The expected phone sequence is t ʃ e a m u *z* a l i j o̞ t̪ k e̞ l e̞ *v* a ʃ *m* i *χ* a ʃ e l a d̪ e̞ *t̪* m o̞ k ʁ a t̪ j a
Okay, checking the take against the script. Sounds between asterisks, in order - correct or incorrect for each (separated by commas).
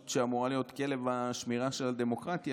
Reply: incorrect, correct, correct, incorrect, incorrect